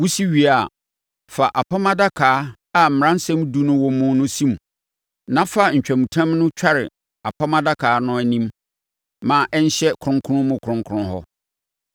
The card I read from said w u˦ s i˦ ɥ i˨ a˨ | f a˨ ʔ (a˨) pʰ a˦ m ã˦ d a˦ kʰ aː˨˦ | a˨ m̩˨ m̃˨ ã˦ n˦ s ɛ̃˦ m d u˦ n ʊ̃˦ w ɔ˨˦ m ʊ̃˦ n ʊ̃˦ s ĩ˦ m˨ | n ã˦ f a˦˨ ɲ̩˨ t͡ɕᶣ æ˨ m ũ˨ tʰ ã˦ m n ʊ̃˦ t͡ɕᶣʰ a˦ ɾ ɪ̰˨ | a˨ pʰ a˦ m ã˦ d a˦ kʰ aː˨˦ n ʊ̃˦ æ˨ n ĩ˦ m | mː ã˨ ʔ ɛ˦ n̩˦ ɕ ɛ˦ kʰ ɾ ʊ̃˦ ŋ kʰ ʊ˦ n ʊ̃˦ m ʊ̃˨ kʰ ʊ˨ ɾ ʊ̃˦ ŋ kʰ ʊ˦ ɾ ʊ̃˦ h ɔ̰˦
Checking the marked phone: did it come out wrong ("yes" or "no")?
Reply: no